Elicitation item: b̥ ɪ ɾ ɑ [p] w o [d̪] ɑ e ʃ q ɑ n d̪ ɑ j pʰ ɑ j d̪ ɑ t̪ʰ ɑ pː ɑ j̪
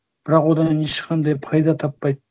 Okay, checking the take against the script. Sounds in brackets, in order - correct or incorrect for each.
incorrect: q, correct

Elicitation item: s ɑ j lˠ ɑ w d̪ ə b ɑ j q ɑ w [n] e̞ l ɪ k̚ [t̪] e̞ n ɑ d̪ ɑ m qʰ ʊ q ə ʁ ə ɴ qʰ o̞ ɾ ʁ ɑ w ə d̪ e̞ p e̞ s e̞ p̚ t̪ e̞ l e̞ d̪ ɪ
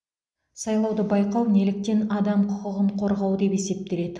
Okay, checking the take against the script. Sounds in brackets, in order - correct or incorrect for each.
correct, correct

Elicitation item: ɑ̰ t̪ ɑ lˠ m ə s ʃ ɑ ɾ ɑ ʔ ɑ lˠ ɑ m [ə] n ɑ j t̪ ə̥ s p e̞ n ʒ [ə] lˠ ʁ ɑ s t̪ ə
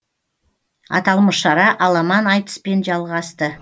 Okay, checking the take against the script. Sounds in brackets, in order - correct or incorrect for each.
incorrect: ɑ, incorrect: ɑ

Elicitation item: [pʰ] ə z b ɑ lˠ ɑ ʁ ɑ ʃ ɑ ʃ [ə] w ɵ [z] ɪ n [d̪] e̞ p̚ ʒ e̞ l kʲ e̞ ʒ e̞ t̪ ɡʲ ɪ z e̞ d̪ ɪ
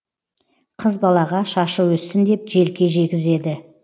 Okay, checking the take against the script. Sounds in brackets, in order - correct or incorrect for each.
incorrect: qʰ, correct, incorrect: s, correct

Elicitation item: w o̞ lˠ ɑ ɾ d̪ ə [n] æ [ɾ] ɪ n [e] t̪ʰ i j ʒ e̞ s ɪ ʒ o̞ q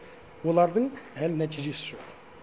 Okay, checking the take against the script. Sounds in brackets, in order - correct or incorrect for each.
incorrect: ɴ, incorrect: l, incorrect: æ

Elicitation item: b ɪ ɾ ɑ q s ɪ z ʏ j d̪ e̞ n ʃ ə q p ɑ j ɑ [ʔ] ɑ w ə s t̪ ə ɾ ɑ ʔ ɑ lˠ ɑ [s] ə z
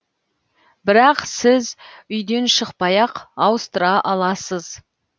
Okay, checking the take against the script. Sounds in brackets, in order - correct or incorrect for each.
incorrect: q, correct

